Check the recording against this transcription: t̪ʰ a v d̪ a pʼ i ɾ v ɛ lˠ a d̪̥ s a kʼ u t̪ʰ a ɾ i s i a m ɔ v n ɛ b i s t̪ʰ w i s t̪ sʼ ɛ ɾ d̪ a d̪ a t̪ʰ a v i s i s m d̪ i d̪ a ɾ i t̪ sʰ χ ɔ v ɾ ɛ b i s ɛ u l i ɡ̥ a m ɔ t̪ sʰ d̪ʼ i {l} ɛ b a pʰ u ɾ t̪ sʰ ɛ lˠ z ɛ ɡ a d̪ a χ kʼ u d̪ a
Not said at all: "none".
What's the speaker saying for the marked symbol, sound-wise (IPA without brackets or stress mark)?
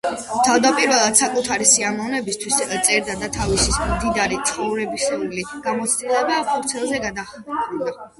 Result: l